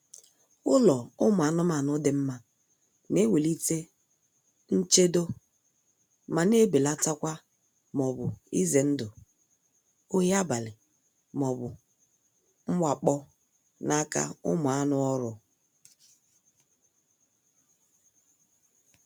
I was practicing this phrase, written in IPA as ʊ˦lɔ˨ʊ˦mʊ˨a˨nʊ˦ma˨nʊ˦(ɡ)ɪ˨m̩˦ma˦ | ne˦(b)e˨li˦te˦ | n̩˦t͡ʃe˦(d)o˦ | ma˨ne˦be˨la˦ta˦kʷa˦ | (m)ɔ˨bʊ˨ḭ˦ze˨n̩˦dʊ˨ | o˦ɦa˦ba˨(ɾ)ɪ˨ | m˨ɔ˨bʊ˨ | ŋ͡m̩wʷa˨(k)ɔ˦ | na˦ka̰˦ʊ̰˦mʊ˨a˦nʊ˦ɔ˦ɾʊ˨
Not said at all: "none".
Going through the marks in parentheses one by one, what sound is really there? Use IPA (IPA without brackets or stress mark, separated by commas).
d, w, d, m, l, k͡p